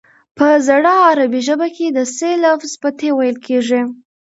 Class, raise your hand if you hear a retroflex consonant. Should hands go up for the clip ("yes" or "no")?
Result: yes